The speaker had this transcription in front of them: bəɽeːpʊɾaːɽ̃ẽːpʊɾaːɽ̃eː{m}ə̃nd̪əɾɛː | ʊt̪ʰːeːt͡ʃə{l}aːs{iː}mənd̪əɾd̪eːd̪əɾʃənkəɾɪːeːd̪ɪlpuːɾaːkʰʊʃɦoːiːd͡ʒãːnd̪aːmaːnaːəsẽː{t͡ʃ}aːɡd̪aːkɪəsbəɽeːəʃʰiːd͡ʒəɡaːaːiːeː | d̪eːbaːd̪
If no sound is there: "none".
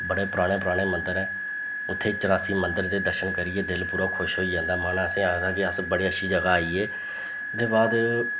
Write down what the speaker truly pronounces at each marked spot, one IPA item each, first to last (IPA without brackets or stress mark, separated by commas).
m, ɾ, iː, none